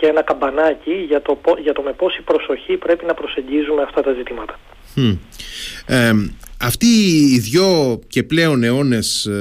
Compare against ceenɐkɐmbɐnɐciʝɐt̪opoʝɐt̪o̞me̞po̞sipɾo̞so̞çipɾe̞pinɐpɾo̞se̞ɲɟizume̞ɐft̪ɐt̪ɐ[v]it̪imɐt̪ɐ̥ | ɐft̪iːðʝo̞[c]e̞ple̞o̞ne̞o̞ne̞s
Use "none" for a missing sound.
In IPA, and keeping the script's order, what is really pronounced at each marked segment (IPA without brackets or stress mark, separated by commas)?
z, c